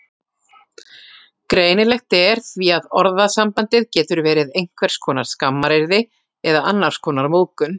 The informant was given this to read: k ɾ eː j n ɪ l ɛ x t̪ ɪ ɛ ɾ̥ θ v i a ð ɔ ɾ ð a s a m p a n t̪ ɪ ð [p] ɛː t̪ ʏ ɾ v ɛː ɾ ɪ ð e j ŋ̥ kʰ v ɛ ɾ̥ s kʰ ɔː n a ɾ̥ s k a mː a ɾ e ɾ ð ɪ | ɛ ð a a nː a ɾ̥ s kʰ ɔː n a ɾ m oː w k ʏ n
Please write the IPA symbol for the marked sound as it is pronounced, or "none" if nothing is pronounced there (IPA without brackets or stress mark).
c